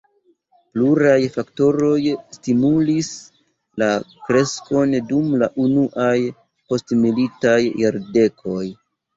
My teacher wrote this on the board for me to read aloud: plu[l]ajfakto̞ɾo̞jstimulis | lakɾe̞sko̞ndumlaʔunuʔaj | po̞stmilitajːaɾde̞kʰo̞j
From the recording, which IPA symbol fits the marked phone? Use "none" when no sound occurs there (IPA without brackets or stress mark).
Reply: ɾ